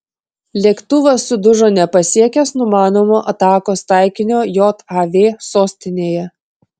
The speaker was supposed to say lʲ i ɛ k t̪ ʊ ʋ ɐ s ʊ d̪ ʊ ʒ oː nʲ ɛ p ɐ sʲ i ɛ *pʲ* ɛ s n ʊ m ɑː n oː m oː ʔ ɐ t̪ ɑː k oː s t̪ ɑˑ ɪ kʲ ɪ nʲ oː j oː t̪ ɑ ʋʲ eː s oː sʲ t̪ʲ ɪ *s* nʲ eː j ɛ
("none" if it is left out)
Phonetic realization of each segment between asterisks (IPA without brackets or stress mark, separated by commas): kʲ, none